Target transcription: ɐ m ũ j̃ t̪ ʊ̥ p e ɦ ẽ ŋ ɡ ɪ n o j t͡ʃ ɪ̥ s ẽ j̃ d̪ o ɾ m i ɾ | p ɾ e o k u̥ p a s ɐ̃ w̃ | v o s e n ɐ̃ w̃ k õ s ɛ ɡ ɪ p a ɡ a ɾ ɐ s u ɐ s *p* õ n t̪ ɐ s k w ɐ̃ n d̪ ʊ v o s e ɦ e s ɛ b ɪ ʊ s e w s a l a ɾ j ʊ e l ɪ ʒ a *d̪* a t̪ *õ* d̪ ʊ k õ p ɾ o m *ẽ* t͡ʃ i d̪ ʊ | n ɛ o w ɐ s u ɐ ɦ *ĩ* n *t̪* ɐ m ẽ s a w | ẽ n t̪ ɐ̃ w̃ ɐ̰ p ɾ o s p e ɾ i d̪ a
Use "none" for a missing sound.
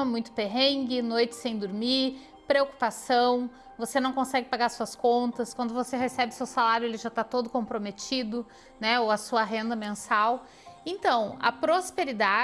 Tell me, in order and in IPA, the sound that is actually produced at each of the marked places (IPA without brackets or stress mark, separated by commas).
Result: k, t̪, o, e, ẽ, d̪